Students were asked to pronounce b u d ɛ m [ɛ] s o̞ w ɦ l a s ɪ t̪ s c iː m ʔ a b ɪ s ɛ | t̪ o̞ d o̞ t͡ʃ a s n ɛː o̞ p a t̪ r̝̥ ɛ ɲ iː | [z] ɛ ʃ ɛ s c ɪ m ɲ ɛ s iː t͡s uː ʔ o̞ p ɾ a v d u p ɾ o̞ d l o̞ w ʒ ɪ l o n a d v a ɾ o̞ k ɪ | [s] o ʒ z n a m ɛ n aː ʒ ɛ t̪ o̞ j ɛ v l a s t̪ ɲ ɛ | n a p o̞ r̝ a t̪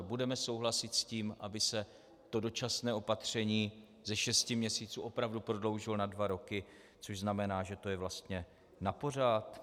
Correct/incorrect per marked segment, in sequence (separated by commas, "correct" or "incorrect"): correct, correct, incorrect